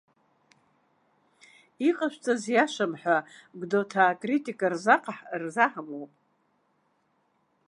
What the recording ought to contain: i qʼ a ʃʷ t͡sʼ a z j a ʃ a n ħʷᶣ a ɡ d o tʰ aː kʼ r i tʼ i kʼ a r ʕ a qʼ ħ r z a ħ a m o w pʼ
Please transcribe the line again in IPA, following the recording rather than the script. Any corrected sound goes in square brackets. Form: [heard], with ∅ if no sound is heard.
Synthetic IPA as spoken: i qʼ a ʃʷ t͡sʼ a z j a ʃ a [m] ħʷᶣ a ɡ d o tʰ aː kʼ r i tʼ i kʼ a r [z] a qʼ ħ r z a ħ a m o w pʼ